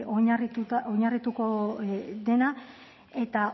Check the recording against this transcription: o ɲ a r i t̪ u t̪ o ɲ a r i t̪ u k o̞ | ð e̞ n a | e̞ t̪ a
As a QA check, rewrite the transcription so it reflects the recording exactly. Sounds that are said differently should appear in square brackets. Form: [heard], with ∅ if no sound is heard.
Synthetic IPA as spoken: o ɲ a r i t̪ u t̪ o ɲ a r i t̪ u k o̞ | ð e̞ n a | e̞ t̪ a